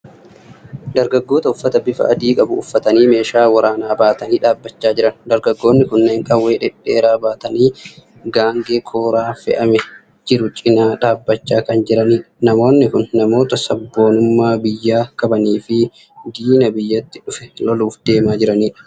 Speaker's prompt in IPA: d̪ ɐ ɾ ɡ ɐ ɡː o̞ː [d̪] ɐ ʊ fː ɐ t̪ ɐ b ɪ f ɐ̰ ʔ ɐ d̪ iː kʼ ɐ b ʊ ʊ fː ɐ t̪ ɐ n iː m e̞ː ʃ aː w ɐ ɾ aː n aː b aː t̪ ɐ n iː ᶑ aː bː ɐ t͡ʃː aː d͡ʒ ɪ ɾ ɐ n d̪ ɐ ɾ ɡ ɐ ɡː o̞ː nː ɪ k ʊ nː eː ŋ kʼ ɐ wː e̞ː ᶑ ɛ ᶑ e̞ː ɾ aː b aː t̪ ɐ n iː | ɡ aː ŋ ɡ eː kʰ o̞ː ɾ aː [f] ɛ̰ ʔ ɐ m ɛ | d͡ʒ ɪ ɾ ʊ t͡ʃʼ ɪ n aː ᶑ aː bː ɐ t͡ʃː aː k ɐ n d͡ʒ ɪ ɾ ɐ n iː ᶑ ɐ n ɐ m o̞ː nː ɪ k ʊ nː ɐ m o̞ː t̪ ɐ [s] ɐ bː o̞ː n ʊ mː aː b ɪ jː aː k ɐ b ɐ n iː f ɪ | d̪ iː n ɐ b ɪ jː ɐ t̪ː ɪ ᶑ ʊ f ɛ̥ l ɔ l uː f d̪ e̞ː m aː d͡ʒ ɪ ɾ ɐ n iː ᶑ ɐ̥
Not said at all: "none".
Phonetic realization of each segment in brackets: t̪, f, s

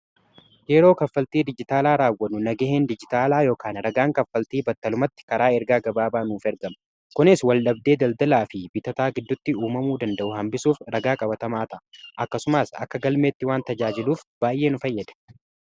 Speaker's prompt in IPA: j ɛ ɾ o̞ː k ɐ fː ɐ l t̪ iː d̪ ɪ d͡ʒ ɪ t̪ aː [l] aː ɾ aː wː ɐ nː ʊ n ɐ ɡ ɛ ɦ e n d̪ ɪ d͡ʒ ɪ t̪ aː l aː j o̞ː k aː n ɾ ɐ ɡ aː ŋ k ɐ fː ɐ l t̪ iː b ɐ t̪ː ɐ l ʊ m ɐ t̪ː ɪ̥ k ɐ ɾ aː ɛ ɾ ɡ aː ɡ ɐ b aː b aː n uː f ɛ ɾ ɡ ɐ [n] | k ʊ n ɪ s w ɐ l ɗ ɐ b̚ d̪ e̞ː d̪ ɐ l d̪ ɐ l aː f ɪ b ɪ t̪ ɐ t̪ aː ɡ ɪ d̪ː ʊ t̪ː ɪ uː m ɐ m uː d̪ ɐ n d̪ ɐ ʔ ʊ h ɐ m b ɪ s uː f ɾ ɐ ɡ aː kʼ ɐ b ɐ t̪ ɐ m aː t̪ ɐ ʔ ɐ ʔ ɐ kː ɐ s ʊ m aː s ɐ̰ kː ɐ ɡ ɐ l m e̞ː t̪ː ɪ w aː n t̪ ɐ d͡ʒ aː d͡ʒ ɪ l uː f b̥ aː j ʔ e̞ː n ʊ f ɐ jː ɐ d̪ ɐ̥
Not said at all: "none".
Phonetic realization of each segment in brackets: l, m

